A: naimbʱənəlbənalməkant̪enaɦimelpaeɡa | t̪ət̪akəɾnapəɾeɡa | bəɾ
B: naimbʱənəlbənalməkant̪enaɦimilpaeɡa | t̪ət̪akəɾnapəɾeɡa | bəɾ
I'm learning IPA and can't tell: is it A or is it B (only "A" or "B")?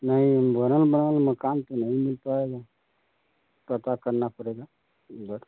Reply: B